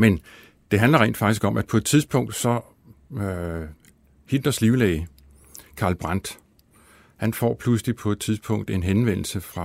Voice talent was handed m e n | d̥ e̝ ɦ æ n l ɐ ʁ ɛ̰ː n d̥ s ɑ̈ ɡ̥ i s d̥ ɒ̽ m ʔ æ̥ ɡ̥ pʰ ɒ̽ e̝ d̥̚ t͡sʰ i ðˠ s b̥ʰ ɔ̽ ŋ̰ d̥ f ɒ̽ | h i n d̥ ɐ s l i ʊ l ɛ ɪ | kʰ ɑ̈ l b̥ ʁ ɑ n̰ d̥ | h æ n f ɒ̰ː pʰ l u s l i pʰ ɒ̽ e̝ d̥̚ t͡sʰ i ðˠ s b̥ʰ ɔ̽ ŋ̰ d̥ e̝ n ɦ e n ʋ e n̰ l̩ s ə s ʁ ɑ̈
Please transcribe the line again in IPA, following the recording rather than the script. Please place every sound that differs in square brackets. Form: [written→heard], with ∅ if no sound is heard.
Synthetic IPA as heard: m e n | d̥ e̝ ɦ æ n l ɐ ʁ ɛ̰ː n d̥ [s→f] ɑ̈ ɡ̥ i s [d̥→ɡ̥] ɒ̽ m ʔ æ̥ [ɡ̥→∅] pʰ ɒ̽ e̝ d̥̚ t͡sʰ i ðˠ s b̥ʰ ɔ̽ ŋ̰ d̥ [f→s] ɒ̽ | h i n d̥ ɐ s l i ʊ l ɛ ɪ | kʰ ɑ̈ l b̥ ʁ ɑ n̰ d̥ | h æ n f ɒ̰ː pʰ l u s l i pʰ ɒ̽ e̝ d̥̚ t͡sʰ i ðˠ s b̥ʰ ɔ̽ ŋ̰ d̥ e̝ n ɦ e n ʋ e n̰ l̩ s ə [s→f] ʁ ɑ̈